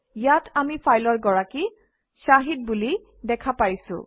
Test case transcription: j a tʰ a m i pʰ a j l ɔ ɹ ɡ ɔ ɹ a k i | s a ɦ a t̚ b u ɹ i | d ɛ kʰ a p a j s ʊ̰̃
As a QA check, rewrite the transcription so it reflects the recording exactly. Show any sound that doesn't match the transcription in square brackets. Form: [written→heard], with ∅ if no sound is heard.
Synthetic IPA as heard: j a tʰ a m i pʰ a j l ɔ ɹ ɡ ɔ ɹ a k i | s a ɦ [a→i] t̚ b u [ɹ→l] i | d ɛ kʰ a p a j s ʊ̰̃